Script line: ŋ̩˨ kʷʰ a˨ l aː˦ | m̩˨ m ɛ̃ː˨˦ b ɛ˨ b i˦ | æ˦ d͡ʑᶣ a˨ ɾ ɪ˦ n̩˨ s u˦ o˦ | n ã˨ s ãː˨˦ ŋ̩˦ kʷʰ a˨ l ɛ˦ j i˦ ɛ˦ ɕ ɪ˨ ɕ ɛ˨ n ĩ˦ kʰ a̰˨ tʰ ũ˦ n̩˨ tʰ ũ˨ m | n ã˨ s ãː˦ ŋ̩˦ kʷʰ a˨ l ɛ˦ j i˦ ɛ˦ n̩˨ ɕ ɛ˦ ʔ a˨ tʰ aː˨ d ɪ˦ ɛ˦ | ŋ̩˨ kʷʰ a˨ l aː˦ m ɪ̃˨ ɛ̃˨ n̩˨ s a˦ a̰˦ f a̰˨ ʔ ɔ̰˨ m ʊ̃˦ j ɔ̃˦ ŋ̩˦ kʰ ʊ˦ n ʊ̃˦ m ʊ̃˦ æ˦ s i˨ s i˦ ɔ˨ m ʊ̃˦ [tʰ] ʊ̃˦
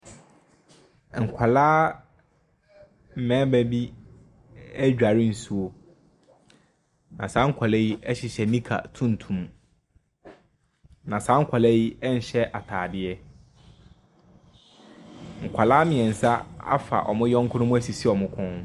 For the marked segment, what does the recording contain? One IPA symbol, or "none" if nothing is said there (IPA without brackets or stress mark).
kʰ